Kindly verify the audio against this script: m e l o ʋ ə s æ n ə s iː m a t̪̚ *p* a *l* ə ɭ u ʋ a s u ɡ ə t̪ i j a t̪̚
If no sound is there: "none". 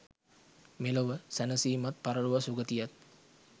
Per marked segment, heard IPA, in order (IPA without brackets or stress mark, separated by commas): p, ɾ